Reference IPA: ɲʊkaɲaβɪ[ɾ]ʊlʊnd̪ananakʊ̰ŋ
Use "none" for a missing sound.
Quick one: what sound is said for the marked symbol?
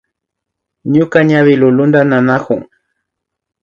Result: l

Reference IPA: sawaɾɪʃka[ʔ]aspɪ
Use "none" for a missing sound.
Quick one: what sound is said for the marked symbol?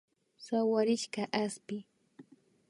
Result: ʔ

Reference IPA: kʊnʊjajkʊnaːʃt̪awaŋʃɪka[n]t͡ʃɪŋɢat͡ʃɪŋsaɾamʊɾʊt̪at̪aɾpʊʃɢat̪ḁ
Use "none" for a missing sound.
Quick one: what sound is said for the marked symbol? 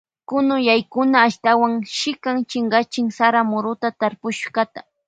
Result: ŋ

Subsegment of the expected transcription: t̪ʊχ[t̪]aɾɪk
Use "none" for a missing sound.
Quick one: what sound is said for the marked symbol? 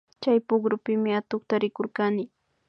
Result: t̪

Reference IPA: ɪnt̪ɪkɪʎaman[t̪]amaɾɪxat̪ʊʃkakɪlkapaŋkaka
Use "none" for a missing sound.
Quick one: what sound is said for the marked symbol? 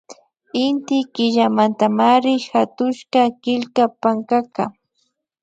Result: t̪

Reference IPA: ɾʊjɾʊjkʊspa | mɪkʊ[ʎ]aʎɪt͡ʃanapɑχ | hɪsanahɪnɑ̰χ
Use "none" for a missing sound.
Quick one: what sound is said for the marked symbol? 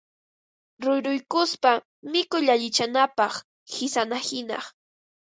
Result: ʎ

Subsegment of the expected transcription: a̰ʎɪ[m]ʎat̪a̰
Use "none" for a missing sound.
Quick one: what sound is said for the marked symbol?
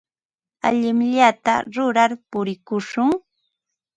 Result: m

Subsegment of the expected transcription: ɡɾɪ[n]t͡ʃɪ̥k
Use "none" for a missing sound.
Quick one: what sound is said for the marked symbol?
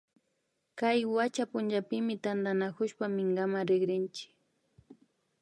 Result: n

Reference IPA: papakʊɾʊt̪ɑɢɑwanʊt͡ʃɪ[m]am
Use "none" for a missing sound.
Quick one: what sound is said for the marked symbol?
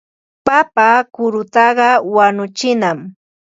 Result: n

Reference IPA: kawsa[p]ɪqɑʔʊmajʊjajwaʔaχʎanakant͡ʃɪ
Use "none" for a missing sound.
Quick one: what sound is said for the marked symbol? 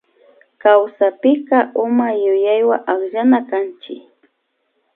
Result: p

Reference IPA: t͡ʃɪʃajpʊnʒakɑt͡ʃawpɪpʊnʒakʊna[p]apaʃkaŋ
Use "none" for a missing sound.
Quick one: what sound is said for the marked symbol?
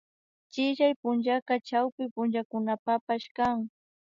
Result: p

